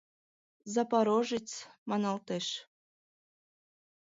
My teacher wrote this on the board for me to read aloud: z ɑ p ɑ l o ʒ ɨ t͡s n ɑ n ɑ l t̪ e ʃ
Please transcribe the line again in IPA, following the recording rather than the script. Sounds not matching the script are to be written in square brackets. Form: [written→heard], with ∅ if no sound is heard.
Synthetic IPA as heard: z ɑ p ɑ [l→ɾ] o ʒ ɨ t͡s [n→m] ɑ n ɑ l t̪ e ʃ